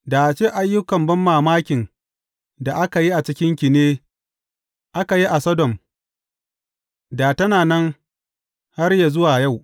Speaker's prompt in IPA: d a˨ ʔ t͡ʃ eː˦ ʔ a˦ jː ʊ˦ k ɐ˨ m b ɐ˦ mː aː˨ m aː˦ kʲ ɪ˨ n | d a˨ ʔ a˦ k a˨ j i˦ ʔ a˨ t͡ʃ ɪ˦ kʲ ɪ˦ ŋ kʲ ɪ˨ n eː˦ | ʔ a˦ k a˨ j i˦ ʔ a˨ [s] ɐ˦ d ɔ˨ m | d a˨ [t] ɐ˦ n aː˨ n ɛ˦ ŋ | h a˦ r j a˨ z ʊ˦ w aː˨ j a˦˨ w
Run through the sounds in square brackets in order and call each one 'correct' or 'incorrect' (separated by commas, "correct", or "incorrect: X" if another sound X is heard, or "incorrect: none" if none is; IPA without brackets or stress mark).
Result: correct, correct